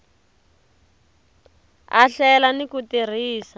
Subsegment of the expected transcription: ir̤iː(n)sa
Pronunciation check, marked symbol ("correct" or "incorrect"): incorrect